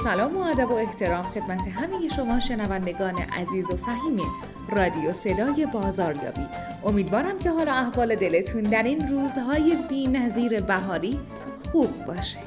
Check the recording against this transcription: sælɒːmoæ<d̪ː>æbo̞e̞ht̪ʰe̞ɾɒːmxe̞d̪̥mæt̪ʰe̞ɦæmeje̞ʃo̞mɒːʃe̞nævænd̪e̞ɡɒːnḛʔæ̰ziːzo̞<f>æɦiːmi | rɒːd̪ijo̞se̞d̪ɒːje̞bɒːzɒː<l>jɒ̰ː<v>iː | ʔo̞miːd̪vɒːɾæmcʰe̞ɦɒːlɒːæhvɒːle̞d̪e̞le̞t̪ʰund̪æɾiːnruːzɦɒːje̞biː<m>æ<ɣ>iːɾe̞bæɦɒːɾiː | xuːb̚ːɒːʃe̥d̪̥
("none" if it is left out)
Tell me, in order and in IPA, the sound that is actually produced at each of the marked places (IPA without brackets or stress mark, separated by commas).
d̪, f, ɾ, b, n, z